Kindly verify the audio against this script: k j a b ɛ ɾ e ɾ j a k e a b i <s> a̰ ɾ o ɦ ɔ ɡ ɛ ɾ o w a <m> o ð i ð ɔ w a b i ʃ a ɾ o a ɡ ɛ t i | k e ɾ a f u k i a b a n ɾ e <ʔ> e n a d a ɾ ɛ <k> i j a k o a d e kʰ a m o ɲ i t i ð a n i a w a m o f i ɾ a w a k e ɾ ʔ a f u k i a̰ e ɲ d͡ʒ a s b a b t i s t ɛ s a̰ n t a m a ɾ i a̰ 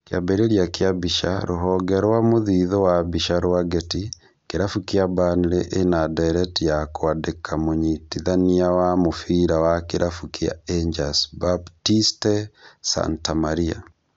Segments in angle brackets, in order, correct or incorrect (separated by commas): incorrect, correct, correct, incorrect